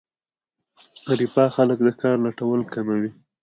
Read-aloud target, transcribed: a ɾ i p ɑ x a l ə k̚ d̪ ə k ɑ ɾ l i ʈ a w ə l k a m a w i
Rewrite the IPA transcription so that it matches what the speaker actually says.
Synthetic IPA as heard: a ɾ i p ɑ x a l ə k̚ d̪ ə k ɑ ɾ l a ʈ a w ə l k a m a w i